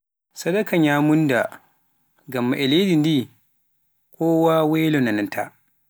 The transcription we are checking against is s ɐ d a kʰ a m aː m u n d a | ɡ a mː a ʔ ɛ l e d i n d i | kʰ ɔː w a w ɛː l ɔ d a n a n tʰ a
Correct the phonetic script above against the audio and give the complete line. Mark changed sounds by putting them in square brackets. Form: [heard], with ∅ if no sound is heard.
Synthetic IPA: s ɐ d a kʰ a [ɲ] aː m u n d a | ɡ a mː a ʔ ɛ l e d i n d i | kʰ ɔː w a w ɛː l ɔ [n] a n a n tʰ a

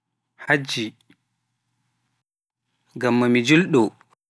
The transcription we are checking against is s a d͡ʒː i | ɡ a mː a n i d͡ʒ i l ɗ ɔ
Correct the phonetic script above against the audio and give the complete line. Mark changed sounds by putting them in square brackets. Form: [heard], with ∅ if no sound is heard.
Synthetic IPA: [h] a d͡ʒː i | ɡ a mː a [m] i d͡ʒ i l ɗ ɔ

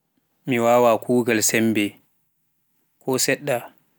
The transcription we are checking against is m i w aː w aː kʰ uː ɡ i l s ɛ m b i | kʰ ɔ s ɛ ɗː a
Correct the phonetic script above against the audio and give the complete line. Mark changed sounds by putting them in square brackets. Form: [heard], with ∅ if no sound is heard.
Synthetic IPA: m i w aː w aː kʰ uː ɡ [a] l s ɛ m b [ɛ] | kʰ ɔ s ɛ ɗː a

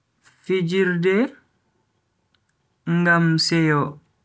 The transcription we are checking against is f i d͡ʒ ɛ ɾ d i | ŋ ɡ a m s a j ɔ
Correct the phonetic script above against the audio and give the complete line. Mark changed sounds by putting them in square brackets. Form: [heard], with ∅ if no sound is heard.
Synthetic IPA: f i d͡ʒ [i] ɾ d [ɛ] | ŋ ɡ a m s [ɛ] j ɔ

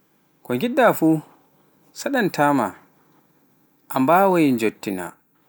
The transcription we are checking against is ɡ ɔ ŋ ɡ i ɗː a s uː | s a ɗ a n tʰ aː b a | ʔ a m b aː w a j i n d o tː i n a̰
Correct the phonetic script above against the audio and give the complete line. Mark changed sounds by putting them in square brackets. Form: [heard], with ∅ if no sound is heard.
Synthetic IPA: [k] ɔ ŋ ɡ i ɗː a [f] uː | s a ɗ a n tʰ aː [m] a | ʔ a m b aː w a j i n [d͡ʒ] o tː i n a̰

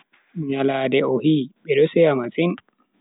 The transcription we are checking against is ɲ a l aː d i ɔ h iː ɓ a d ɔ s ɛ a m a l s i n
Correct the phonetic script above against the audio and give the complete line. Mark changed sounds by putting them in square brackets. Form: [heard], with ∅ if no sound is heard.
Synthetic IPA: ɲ a l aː d [ɛ] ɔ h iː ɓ [ɛ] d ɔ s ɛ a m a [∅] s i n

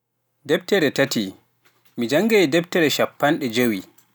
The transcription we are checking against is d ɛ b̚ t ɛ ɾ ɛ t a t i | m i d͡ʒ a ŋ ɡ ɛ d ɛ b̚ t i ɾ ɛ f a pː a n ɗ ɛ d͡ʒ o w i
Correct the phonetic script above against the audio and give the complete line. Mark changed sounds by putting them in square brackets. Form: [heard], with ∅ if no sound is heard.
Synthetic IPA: d ɛ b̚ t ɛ ɾ ɛ t a t i | m i d͡ʒ a ŋ ɡ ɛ d ɛ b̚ t [ɛ] ɾ ɛ [ʃ] a pː a n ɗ ɛ d͡ʒ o w i

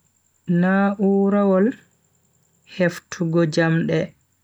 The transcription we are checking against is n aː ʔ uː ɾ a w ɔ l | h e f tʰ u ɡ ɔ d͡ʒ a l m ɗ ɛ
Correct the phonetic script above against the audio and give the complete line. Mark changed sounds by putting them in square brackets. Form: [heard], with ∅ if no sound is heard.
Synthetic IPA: n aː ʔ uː ɾ a w ɔ l | h e f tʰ u ɡ ɔ d͡ʒ a [∅] m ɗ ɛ

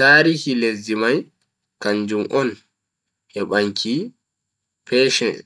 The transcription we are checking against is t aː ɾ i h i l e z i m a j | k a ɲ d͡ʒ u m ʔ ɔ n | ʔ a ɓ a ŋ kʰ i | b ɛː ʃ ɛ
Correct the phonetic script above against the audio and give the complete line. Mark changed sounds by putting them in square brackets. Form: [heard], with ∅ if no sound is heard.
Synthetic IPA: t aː ɾ i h i l e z i m a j | k a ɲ d͡ʒ u m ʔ ɔ n | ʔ [ɛ] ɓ a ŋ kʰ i | [p] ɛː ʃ ɛ

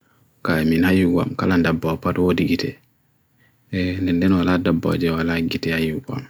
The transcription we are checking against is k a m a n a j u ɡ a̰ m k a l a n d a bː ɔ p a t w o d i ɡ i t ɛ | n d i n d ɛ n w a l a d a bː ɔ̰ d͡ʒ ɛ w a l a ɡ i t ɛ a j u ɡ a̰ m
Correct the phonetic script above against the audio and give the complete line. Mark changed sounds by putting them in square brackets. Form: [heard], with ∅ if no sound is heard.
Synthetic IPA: k a m [i] n a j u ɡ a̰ m k a l a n d a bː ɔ p a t w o d i ɡ i t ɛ | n d [ɛ] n d ɛ n w a l a d a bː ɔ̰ d͡ʒ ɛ w a l a ɡ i t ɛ a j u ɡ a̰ m

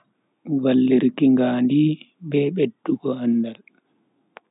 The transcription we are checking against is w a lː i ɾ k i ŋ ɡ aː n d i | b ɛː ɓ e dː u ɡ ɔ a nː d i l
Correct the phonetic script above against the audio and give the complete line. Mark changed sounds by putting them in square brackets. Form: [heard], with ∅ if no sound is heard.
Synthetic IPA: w a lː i ɾ k i ŋ ɡ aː n d i | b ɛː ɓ e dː u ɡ ɔ a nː d [a] l

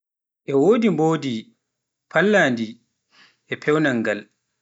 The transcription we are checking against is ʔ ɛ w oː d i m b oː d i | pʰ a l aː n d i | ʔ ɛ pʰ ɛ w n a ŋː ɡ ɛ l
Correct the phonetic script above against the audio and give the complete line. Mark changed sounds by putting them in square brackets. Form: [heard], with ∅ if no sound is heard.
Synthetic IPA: ʔ ɛ w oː d i m b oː d i | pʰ a [lː] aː n d i | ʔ ɛ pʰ ɛ w n a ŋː ɡ [a] l

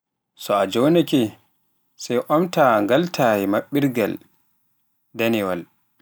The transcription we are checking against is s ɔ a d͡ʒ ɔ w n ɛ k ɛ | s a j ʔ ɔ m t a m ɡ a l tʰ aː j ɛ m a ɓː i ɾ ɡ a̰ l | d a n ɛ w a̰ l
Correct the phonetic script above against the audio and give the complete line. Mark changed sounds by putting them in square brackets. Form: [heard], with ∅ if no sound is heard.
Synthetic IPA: s ɔ a d͡ʒ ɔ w n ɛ k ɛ | s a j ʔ ɔ m t a [ŋ] ɡ a l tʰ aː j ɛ m a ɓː i ɾ ɡ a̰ l | d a n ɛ w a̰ l

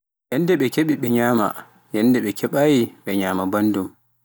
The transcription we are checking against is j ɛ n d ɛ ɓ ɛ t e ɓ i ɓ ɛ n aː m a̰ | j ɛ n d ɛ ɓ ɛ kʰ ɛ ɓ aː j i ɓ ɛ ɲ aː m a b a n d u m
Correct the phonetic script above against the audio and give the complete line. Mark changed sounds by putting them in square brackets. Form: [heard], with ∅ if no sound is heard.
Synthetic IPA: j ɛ n d ɛ ɓ ɛ [k] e ɓ i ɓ ɛ [ɲ] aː m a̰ | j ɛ n d ɛ ɓ ɛ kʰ ɛ ɓ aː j i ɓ ɛ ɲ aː m a b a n d u m

